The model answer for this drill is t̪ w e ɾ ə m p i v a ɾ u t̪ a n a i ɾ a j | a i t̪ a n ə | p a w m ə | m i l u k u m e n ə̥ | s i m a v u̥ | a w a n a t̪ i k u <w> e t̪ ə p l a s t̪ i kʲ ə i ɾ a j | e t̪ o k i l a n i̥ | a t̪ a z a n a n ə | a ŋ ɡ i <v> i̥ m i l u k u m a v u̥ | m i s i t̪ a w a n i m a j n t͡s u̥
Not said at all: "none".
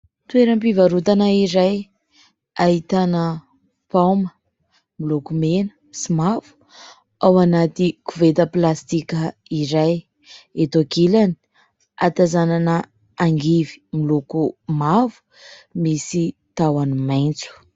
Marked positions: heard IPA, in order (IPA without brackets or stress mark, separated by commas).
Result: v, v